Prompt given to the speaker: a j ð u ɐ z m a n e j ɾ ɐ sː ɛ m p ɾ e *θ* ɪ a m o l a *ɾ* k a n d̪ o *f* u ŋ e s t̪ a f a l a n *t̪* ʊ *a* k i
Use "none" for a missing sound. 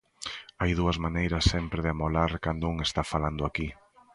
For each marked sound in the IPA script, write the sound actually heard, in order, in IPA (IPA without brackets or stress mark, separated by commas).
ð, ɾ, none, d̪, a